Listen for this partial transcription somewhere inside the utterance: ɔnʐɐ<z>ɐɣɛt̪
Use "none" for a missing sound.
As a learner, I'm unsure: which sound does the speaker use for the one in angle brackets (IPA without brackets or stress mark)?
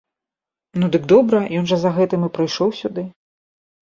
z